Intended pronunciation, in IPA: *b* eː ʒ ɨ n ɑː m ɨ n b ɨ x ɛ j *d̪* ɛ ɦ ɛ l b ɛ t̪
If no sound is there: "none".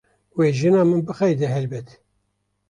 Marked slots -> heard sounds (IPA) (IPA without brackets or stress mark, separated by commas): w, d̪